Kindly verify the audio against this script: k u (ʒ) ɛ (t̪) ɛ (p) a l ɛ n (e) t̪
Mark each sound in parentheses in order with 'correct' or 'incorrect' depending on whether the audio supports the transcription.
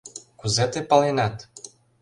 incorrect: z, correct, correct, incorrect: a

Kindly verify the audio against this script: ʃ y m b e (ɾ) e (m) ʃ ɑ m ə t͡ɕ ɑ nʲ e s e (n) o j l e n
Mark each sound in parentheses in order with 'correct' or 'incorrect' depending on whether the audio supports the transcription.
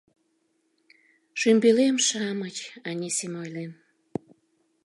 incorrect: l, correct, incorrect: m

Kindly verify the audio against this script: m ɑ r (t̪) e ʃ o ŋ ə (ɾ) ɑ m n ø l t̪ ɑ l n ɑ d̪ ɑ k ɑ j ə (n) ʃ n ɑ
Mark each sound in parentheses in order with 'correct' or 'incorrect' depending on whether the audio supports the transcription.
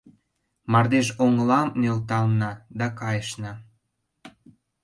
incorrect: d̪, incorrect: l, incorrect: none

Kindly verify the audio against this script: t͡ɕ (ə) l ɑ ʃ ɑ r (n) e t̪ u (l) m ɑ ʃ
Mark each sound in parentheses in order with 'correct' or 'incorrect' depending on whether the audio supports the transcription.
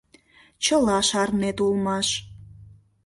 correct, correct, correct

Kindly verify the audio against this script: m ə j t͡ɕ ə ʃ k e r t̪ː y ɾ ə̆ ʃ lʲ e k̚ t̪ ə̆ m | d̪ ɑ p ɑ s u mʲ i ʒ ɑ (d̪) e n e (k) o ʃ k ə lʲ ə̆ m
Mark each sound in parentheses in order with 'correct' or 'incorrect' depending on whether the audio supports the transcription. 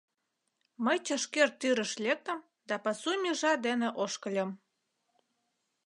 correct, incorrect: ʔ

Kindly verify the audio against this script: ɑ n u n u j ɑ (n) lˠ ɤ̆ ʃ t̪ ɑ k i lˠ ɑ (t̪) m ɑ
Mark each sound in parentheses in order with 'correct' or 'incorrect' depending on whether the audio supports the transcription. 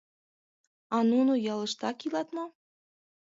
incorrect: none, correct

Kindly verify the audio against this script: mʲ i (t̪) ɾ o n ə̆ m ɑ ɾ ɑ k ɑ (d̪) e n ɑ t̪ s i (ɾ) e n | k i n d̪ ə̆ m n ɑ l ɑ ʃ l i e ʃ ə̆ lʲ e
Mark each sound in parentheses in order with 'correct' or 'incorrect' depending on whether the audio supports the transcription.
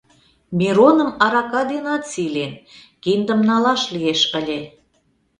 incorrect: none, correct, incorrect: l

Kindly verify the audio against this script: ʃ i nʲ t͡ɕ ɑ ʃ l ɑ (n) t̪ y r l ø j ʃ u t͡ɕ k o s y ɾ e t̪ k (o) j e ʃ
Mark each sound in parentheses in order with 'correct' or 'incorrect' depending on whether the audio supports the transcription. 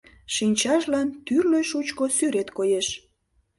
correct, correct

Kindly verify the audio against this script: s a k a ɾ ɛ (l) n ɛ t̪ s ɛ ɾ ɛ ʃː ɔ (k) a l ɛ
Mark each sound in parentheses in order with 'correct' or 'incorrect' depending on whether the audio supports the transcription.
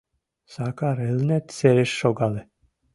correct, incorrect: ɡ

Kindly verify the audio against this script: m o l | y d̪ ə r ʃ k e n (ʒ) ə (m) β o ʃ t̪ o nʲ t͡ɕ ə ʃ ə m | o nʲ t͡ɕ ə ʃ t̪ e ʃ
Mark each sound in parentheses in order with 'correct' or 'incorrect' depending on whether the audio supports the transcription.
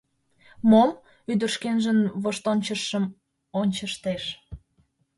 correct, incorrect: n

